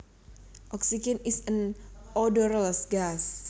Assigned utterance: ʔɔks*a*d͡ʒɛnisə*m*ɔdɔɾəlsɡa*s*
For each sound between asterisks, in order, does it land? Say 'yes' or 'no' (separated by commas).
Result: no, no, yes